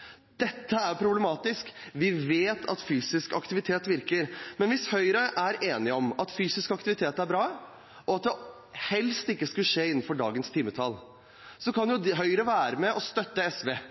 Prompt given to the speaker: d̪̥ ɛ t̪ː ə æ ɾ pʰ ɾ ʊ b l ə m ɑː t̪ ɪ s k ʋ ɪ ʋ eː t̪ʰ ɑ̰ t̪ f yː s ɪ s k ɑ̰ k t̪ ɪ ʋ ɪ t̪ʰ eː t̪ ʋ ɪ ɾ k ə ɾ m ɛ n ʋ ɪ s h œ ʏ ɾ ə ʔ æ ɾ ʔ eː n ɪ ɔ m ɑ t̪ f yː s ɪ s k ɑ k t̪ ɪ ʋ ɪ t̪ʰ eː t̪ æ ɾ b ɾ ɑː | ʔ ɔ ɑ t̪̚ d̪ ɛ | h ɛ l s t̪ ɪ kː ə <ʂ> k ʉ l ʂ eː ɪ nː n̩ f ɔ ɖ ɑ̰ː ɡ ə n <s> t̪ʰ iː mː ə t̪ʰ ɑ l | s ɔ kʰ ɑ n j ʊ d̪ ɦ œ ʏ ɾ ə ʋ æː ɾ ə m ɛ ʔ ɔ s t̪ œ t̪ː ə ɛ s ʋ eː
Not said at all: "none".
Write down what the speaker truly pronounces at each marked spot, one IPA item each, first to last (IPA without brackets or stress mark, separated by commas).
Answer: s, s